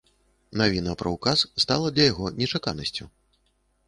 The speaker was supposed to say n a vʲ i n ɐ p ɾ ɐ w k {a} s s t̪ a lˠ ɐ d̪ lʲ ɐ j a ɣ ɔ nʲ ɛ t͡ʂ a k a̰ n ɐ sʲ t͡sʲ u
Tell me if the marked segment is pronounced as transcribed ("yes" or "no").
yes